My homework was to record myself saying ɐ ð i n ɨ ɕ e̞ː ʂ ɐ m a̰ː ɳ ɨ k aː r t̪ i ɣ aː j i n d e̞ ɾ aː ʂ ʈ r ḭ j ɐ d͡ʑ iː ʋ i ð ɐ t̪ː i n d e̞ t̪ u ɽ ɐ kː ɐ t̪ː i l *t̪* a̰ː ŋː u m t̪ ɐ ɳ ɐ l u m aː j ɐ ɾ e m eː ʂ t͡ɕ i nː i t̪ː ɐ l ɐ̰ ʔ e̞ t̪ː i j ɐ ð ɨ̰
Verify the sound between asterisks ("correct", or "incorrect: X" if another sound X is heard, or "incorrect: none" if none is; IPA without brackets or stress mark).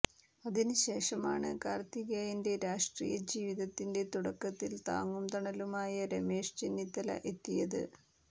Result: correct